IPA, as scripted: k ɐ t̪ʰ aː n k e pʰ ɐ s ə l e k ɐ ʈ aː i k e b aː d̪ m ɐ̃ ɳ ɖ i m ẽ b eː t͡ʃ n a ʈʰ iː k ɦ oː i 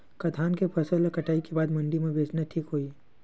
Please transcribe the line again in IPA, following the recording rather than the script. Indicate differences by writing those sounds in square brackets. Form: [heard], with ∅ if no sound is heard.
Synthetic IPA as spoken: k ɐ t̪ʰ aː n k e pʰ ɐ s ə l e k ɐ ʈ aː i k e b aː d̪ m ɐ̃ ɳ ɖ i m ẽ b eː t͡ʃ n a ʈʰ iː k ɦ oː i